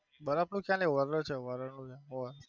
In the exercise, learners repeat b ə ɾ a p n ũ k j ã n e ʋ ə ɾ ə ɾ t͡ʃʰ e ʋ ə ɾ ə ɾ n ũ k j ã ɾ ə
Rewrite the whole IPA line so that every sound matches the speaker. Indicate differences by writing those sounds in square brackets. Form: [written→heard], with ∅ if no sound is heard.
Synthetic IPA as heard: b ə ɾ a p n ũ k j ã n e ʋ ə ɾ ə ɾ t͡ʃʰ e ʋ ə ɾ ə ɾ n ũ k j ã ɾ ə